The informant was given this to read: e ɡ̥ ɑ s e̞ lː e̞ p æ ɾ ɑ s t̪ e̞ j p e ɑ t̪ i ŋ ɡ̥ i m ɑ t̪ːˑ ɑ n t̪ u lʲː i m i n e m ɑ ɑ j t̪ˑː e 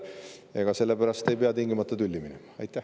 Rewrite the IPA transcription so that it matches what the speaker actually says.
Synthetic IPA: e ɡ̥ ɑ s e̞ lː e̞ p æ ɾ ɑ s t̪ e̞ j p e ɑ t̪ i ŋ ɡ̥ i m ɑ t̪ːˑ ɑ t̪ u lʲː i m i n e m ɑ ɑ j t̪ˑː æ